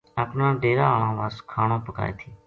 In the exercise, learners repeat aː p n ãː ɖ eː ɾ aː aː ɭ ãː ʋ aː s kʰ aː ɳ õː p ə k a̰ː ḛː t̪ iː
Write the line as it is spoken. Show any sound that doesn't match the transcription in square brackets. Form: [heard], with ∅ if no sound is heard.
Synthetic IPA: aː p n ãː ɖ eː ɾ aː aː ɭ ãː ʋ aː s kʰ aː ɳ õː p ə k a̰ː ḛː [t̪ʰ] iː